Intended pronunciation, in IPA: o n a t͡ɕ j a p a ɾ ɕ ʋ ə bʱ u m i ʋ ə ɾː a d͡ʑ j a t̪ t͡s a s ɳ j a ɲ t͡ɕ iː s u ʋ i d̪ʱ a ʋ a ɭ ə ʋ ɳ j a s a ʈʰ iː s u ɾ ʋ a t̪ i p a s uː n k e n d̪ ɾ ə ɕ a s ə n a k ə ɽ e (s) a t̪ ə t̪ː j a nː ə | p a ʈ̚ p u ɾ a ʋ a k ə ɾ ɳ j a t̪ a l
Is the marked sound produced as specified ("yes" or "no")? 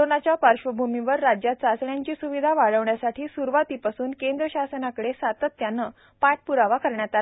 yes